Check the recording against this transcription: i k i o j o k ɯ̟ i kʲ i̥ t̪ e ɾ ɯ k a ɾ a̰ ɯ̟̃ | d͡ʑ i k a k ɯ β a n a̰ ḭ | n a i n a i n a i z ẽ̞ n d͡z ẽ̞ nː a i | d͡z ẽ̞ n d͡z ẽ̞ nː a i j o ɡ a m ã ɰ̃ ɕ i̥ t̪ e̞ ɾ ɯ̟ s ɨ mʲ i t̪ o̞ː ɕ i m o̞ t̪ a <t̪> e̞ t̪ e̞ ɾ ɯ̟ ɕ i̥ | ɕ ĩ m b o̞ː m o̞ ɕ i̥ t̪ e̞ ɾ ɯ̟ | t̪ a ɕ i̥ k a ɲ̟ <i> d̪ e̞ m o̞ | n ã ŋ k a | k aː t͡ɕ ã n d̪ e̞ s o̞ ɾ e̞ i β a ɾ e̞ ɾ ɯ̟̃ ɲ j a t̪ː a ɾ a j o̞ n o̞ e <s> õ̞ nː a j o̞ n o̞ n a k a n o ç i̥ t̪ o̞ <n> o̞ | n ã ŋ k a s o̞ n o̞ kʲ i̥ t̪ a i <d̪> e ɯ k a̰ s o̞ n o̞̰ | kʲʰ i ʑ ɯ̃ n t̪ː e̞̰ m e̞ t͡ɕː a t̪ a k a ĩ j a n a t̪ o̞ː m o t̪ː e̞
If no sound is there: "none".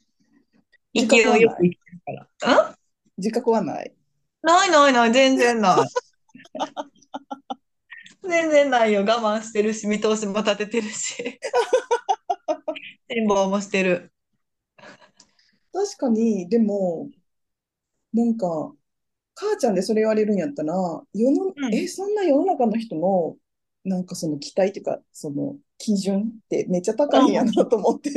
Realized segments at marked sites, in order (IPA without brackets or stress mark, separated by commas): t̪, i, s, n, t̪